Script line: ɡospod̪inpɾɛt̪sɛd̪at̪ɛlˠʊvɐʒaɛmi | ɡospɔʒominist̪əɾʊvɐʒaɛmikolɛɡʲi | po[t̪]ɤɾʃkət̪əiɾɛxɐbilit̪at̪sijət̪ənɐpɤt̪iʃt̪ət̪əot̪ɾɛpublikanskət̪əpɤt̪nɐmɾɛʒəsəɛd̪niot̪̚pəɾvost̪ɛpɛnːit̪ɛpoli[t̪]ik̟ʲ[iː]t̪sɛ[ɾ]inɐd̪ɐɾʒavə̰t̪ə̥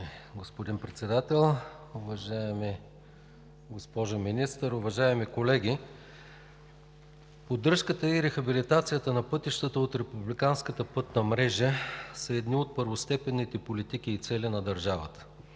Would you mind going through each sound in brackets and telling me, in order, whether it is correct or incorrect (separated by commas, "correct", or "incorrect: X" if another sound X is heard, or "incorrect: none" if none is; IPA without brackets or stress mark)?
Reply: incorrect: d̪, correct, correct, incorrect: l